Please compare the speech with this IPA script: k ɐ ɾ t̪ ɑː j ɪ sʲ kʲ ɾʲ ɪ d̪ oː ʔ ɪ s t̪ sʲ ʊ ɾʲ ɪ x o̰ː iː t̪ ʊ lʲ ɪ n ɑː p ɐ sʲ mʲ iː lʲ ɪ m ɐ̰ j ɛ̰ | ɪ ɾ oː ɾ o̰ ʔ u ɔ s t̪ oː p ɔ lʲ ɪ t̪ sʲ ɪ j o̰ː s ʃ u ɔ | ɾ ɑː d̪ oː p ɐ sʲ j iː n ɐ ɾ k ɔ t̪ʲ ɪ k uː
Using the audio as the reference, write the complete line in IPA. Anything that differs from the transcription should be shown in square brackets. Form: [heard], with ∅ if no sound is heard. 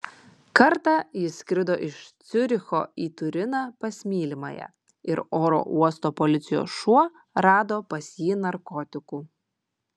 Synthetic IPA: k ɐ ɾ t̪ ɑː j ɪ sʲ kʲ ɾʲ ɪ d̪ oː ʔ ɪ [ʃ] t̪ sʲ ʊ ɾʲ ɪ x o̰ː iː t̪ ʊ [ɾʲ] ɪ n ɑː p ɐ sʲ mʲ iː lʲ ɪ m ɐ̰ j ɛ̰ | ɪ ɾ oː ɾ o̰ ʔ u ɔ s t̪ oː p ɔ lʲ ɪ t̪ sʲ ɪ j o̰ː s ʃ u ɔ | ɾ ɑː d̪ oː p ɐ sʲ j iː n ɐ ɾ k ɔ t̪ʲ ɪ k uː